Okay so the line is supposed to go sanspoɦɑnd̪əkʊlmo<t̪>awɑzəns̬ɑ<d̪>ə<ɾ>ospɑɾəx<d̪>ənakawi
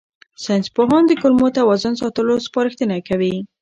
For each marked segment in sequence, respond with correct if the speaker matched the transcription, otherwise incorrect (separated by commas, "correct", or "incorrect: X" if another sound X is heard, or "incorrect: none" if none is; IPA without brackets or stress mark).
correct, incorrect: t̪, incorrect: l, incorrect: t̪